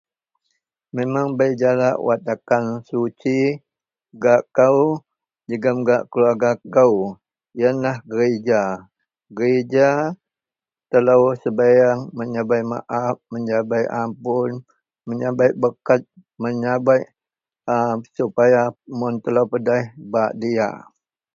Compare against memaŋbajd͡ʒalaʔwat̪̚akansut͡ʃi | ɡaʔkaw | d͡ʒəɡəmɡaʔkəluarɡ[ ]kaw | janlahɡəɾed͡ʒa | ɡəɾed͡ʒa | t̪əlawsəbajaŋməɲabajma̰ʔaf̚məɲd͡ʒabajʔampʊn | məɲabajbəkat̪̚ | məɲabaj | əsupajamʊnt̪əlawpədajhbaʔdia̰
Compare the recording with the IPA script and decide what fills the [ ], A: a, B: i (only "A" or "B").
A